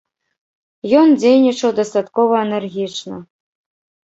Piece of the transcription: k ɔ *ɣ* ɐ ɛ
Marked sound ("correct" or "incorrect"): incorrect